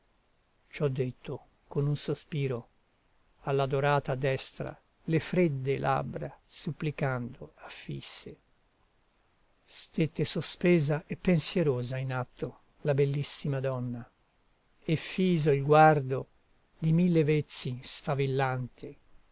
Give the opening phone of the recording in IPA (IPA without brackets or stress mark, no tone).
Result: t͡ʃ